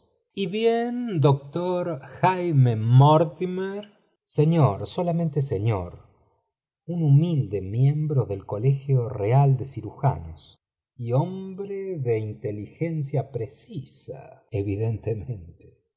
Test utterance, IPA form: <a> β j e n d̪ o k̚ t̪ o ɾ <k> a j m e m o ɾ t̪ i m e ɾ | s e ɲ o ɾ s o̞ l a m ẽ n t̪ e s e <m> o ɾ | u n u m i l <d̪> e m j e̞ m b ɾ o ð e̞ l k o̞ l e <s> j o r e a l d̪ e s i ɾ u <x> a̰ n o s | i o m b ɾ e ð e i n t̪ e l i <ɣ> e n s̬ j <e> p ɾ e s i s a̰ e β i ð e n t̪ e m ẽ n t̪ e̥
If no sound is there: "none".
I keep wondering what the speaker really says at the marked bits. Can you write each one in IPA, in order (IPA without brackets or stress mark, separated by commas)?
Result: i, x, ɲ, d̪, x, x, x, a